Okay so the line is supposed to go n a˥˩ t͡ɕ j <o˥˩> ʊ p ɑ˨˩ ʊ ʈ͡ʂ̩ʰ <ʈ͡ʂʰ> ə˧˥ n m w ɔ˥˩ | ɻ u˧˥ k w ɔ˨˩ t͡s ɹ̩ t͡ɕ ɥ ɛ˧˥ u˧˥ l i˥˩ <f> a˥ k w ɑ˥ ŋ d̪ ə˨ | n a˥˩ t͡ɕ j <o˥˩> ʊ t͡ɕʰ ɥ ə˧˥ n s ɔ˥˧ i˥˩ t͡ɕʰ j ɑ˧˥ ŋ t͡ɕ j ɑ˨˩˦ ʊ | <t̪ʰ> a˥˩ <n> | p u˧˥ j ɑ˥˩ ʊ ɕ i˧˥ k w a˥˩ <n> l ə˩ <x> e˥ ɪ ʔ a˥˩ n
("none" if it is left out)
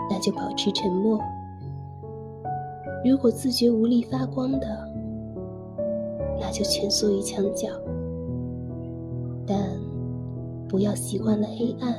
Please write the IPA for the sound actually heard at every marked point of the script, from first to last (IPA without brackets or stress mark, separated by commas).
o˥˩, ʈ͡ʂʰ, f, o˥˩, t̪, n, n, x